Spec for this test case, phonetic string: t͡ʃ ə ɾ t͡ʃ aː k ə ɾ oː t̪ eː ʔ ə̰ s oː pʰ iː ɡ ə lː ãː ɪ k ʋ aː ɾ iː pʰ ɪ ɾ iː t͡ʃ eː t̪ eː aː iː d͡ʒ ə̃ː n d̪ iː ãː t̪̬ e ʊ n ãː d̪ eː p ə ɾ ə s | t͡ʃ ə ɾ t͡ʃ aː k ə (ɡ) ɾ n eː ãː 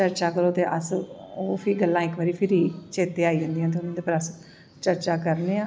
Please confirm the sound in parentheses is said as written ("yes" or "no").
no